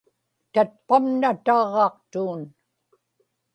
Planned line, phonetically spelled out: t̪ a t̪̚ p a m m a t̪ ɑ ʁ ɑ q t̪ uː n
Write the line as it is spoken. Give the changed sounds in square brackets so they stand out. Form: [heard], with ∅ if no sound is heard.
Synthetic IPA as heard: t̪ a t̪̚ p a m [n] a t̪ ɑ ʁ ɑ q t̪ uː n